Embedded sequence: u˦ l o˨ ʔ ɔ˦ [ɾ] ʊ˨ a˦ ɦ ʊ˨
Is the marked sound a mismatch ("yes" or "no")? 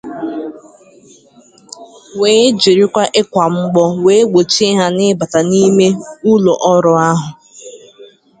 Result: no